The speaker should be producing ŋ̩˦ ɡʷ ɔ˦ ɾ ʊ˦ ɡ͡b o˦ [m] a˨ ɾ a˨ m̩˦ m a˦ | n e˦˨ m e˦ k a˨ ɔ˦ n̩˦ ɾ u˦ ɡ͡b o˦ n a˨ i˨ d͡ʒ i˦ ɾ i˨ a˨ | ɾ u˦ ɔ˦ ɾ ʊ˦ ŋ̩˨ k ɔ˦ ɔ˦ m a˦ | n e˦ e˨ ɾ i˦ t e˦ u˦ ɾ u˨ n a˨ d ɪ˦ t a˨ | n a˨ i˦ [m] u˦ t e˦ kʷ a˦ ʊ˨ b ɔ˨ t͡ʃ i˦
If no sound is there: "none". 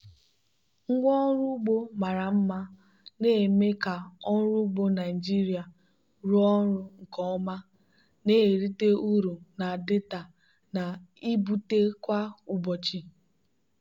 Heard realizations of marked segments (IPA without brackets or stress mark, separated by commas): m, b